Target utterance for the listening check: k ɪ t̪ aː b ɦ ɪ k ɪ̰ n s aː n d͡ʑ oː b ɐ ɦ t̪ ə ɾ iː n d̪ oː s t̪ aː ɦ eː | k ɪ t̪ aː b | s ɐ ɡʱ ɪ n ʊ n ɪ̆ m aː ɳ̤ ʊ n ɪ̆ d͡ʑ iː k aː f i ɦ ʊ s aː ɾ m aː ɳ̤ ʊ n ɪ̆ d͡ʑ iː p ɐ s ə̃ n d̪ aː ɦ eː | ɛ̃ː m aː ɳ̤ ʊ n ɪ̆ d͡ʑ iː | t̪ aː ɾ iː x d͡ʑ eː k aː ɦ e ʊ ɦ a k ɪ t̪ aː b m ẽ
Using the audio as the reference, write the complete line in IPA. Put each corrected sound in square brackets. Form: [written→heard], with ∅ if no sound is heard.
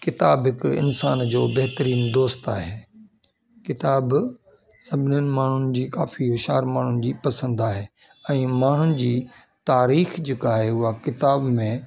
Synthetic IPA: k ɪ t̪ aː b ɦ ɪ k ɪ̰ n s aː n d͡ʑ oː b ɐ ɦ t̪ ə ɾ iː n d̪ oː s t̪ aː ɦ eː | k ɪ t̪ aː b | s ɐ [ɡʱ→bʱ] ɪ n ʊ n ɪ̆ m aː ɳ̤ ʊ n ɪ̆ d͡ʑ iː k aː f i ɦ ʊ [s→ʃ] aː ɾ m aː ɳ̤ ʊ n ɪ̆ d͡ʑ iː p ɐ s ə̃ n d̪ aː ɦ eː | ɛ̃ː m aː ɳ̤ ʊ n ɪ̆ d͡ʑ iː | t̪ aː ɾ iː x d͡ʑ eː k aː ɦ e ʊ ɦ a k ɪ t̪ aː b m ẽ